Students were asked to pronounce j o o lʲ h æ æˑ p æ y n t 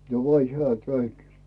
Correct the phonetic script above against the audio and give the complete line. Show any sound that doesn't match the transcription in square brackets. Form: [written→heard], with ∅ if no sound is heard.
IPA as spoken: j o o lʲ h [æ→e] æˑ [p→k] æ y n t